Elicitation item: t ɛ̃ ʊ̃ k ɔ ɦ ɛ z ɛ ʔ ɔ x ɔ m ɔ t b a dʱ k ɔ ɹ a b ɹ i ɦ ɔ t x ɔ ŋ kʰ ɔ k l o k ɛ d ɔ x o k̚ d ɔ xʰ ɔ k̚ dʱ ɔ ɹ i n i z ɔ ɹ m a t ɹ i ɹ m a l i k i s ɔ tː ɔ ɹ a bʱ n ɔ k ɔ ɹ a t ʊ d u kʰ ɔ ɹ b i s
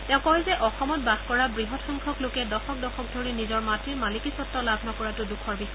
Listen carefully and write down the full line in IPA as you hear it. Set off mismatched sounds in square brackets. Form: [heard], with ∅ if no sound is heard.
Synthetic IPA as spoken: t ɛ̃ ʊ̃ k ɔ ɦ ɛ z ɛ ʔ ɔ x ɔ m ɔ t b a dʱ k ɔ ɹ a b ɹ i ɦ ɔ t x ɔ ŋ kʰ ɔ k l o k ɛ d ɔ x [ɔ] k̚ d ɔ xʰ ɔ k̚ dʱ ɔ ɹ i n i z ɔ ɹ m a t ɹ i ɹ m a l i k i s ɔ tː ɔ [l] a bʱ n ɔ k ɔ ɹ a t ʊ d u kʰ ɔ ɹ b i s